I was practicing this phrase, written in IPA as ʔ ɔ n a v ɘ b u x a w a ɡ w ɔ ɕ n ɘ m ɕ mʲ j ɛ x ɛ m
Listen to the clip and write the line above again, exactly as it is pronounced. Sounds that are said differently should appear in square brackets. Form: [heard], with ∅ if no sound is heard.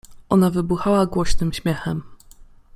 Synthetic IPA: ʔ ɔ n a v ɘ b u x a w a ɡ w ɔ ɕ n ɘ m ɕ mʲ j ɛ x ɛ m